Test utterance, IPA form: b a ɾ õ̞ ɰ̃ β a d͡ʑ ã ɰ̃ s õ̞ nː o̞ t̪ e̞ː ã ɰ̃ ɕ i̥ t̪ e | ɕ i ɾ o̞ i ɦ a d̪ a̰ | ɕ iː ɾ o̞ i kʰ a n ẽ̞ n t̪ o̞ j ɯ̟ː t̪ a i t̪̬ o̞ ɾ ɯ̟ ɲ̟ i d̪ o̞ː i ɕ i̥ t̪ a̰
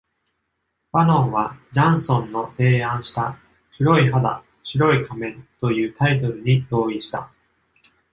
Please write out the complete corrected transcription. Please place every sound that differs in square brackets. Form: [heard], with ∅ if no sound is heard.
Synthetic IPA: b a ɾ õ̞ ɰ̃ β a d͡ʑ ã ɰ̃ s õ̞ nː o̞ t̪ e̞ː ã ɰ̃ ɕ i̥ t̪ [a] | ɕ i ɾ o̞ i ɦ a d̪ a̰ | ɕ [i] ɾ o̞ i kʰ a [m] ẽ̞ n t̪ o̞ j ɯ̟ː t̪ a i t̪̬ o̞ ɾ ɯ̟ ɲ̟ i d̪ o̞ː i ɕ i̥ t̪ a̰